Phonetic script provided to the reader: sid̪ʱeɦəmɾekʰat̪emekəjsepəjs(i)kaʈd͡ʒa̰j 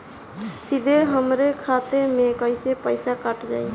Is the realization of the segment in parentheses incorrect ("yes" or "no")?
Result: yes